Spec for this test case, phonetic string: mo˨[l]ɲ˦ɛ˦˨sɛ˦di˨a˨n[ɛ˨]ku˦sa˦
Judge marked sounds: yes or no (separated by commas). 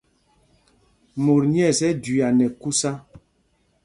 no, yes